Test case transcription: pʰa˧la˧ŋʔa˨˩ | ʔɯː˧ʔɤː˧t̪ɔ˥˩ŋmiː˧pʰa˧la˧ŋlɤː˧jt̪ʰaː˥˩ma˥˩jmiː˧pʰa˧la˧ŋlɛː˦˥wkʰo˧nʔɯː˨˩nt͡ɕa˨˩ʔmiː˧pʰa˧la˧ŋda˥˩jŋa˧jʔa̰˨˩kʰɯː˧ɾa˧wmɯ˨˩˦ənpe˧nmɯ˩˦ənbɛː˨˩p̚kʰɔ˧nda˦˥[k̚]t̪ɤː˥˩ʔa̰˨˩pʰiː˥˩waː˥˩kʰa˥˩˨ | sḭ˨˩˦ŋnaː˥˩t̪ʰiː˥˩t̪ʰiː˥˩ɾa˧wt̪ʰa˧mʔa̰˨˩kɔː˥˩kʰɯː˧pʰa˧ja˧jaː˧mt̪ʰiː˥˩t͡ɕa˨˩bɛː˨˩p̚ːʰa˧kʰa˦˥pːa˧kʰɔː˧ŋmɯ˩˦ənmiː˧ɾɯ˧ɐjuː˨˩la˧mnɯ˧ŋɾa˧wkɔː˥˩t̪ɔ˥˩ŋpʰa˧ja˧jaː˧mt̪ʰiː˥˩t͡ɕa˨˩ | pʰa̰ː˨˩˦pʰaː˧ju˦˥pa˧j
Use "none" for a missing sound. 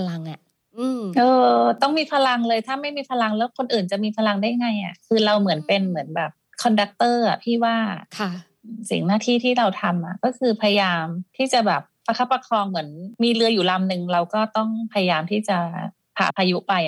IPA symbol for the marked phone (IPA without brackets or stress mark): k̚